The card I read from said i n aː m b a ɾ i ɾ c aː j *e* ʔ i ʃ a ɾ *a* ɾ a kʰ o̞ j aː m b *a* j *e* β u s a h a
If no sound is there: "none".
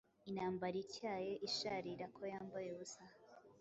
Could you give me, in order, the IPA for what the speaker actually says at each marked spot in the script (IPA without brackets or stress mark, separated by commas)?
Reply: e, i, a, e